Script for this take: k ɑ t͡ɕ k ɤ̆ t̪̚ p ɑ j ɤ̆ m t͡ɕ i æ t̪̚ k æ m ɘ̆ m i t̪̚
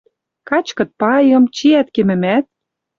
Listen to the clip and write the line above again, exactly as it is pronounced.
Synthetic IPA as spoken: k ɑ t͡ɕ k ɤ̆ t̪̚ p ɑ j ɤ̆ m t͡ɕ i æ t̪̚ k e m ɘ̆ m æ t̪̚